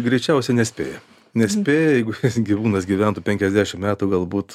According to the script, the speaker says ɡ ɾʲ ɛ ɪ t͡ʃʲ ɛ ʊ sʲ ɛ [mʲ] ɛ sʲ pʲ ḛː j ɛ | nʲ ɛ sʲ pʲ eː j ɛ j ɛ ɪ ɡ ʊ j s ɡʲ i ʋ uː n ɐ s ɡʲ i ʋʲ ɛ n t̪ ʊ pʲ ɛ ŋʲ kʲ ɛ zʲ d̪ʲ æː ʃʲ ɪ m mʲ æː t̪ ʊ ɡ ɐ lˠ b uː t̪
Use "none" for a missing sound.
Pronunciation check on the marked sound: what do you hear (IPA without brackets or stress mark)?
nʲ